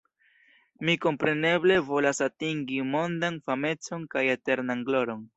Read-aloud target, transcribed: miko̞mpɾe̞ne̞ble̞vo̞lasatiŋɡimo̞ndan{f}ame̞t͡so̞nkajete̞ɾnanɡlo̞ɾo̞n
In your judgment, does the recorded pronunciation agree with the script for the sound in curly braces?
yes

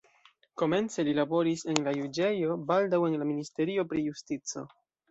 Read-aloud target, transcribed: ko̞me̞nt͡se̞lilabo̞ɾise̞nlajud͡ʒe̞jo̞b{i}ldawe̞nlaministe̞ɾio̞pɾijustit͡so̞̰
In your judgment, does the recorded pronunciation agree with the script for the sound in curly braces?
no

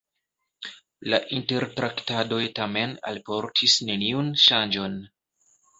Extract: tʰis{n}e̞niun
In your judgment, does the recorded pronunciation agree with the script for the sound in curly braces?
yes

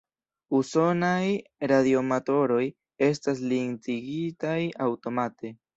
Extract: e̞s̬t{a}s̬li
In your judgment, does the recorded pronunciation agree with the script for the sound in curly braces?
yes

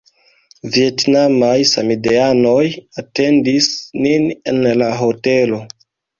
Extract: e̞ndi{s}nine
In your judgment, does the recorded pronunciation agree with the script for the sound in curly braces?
yes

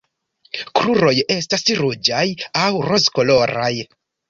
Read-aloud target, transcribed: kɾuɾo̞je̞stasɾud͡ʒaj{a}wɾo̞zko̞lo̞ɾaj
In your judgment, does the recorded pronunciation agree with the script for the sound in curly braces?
yes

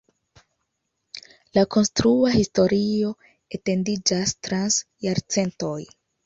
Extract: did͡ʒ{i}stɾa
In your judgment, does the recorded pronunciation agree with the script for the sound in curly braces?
no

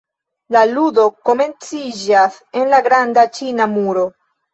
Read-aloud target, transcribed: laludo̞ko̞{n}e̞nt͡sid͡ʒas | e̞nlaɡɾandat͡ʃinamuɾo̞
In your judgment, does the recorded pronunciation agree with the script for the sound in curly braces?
no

